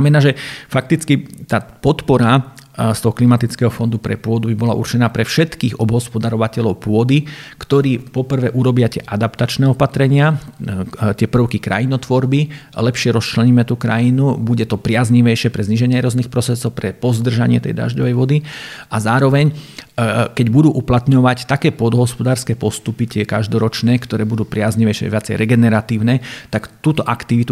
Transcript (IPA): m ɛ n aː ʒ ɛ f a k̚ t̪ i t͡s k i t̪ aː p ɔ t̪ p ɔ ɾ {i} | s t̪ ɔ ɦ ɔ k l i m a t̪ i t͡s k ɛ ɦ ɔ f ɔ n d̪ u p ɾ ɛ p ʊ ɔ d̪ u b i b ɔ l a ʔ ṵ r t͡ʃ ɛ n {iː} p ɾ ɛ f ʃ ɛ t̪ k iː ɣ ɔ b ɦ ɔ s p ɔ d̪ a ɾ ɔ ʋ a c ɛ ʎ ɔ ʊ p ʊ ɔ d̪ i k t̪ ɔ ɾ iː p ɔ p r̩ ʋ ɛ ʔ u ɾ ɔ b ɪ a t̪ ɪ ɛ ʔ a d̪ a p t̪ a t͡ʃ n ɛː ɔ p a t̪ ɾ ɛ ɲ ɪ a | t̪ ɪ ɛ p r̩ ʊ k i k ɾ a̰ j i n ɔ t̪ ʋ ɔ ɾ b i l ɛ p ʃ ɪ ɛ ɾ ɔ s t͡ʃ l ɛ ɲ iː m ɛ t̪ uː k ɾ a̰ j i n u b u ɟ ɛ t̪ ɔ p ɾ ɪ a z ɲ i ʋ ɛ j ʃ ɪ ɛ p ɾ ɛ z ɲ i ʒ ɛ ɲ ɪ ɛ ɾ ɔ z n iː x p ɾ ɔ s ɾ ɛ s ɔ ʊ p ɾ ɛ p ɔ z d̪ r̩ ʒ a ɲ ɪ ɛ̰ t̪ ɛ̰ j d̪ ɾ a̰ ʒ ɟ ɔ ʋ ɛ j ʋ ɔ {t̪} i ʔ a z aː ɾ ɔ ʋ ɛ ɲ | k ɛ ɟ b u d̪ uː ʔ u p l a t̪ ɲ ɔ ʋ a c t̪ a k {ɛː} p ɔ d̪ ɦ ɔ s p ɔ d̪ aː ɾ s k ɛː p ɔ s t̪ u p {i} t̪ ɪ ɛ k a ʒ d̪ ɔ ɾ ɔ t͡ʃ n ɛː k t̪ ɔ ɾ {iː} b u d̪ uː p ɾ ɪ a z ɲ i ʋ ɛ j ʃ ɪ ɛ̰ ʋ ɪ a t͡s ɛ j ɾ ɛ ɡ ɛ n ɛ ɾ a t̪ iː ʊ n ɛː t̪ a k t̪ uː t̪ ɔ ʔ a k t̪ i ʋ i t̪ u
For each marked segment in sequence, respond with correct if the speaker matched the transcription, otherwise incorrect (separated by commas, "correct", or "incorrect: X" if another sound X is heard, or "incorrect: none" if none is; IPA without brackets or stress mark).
incorrect: a, incorrect: aː, incorrect: d̪, correct, correct, incorrect: ɛː